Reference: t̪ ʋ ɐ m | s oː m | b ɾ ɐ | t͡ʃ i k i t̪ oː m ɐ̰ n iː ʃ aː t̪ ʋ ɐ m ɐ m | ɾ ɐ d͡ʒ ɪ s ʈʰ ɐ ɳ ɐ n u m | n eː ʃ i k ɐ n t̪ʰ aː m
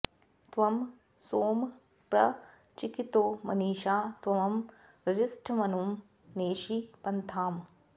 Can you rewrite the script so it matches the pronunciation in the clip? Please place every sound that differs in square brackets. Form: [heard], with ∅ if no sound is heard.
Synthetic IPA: t̪ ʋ ɐ m | s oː m | [p] ɾ ɐ | t͡ʃ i k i t̪ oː m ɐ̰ n iː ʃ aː t̪ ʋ ɐ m ɐ m | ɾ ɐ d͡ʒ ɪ s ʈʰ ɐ [m] ɐ n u m | n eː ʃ i [p] ɐ n t̪ʰ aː m

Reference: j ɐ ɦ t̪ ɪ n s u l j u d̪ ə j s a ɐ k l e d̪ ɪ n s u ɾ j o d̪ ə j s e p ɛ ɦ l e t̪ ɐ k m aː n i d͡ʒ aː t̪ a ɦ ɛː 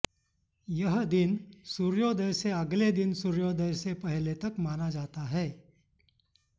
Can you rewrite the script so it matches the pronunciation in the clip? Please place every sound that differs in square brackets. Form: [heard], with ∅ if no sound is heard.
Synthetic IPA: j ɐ ɦ [d̪] ɪ n s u [ɾ] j [o] d̪ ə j s [e] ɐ [ɡ] l e d̪ ɪ n s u ɾ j o d̪ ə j s e p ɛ ɦ l e t̪ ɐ k m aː n [a] d͡ʒ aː t̪ a ɦ ɛː

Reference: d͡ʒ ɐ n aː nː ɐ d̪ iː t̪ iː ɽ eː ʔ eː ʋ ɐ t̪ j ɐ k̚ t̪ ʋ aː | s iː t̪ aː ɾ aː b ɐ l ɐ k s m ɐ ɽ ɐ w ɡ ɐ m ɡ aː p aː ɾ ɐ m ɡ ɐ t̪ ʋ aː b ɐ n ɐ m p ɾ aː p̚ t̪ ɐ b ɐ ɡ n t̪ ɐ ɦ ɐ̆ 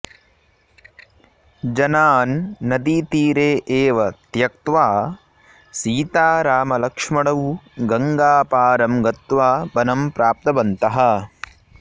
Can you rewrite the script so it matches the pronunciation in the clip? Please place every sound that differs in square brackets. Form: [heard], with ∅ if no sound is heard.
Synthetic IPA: d͡ʒ ɐ n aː nː ɐ d̪ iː t̪ iː [ɾ] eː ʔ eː ʋ ɐ t̪ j ɐ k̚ t̪ ʋ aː | s iː t̪ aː ɾ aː [m] ɐ l ɐ k [ʂ] m ɐ ɽ ɐ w ɡ ɐ [ŋ] ɡ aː p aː ɾ ɐ m ɡ ɐ t̪ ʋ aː b ɐ n ɐ m p ɾ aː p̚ t̪ ɐ b ɐ [∅] n t̪ ɐ ɦ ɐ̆

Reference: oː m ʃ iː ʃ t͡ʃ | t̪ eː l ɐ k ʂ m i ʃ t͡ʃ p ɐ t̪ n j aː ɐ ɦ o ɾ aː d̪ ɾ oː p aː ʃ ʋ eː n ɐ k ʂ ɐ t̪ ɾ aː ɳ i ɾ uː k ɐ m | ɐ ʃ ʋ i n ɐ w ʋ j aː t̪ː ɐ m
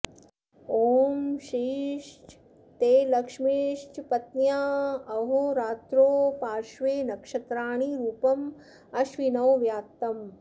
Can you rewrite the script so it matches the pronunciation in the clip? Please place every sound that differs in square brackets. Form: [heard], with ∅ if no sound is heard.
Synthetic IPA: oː m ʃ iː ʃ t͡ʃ | t̪ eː l ɐ k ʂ m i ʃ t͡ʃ p ɐ t̪ n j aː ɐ ɦ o ɾ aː [t̪] ɾ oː p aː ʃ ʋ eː n ɐ k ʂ ɐ t̪ ɾ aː ɳ i ɾ uː [p] ɐ m | ɐ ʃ ʋ i n ɐ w ʋ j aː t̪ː ɐ m

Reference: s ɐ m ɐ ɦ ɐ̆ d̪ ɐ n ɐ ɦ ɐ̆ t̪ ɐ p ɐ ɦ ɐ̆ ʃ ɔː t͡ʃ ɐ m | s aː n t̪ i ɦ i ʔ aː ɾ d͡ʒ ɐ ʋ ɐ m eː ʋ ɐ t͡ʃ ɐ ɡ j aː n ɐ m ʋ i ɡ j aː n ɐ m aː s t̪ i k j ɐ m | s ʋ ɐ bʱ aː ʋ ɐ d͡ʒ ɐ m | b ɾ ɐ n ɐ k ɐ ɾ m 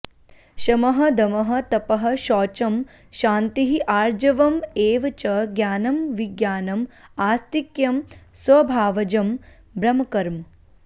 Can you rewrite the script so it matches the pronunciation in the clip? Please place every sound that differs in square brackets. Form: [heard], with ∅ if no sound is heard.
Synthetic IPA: [ʃ] ɐ m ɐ ɦ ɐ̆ d̪ ɐ [m] ɐ ɦ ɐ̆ t̪ ɐ p ɐ ɦ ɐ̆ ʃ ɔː t͡ʃ ɐ m | [ʃ] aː n t̪ i ɦ i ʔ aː ɾ d͡ʒ ɐ ʋ ɐ m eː ʋ ɐ t͡ʃ ɐ ɡ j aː n ɐ m ʋ i ɡ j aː n ɐ m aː s t̪ i k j ɐ m | s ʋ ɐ bʱ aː ʋ ɐ d͡ʒ ɐ m | b ɾ ɐ [m] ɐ k ɐ ɾ m

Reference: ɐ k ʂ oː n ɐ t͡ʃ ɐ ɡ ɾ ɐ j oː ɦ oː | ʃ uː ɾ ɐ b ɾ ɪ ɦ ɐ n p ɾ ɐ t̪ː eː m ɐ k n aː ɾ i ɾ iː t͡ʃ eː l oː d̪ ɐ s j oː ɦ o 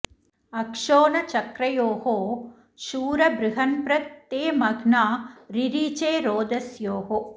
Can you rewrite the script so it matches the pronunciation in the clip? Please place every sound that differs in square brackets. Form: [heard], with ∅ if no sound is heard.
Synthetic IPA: ɐ k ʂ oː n ɐ t͡ʃ ɐ [k] ɾ ɐ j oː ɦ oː | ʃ uː ɾ ɐ b ɾ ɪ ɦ ɐ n p ɾ ɐ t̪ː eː m ɐ [ɡ] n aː ɾ i ɾ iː t͡ʃ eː [ɾ] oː d̪ ɐ s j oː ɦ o

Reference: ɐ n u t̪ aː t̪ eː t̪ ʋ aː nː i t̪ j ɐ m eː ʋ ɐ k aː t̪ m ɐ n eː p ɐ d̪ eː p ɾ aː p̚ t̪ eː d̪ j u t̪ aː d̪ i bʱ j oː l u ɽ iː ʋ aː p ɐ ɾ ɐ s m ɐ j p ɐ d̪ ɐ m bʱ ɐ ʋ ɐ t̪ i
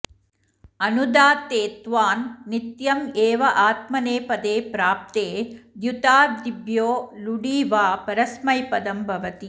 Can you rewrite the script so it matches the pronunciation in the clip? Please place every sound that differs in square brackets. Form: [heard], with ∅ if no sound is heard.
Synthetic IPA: ɐ n u [d̪] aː t̪ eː t̪ ʋ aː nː i t̪ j ɐ m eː ʋ ɐ [ʔ] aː t̪ m ɐ n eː p ɐ d̪ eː p ɾ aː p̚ t̪ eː d̪ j u t̪ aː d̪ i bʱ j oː l u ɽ iː ʋ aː p ɐ ɾ ɐ s m ɐ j p ɐ d̪ ɐ m bʱ ɐ ʋ ɐ t̪ i

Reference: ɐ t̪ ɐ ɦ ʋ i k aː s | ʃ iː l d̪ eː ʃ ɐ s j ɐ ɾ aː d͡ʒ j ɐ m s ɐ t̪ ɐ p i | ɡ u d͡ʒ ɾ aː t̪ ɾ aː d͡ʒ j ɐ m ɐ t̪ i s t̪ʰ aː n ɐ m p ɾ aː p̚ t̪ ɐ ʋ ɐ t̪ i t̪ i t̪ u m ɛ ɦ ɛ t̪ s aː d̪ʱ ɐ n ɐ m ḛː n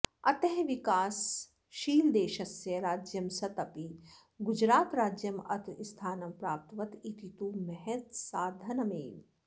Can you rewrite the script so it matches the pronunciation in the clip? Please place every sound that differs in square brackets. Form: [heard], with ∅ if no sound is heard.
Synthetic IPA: ɐ t̪ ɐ ɦ ʋ i k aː s | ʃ iː l d̪ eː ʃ ɐ s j ɐ ɾ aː d͡ʒ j ɐ m s ɐ t̪ ɐ p i | ɡ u d͡ʒ ɾ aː t̪ ɾ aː d͡ʒ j ɐ m ɐ t̪ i s t̪ʰ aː n ɐ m p ɾ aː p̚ t̪ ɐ ʋ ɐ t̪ i t̪ i t̪ u m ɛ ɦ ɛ t̪ s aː d̪ʱ ɐ n ɐ m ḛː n

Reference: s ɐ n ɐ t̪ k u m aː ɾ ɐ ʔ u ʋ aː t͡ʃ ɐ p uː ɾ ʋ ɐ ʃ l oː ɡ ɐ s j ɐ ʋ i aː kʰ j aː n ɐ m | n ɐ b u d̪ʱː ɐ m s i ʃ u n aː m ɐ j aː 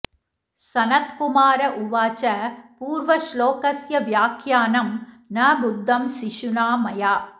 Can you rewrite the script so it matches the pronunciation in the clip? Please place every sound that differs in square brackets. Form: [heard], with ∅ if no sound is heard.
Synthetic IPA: s ɐ n ɐ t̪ k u m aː ɾ ɐ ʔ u ʋ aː t͡ʃ ɐ p uː ɾ ʋ ɐ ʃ l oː [k] ɐ s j ɐ ʋ [j] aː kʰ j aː n ɐ m | n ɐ b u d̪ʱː ɐ m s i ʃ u n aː m ɐ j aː

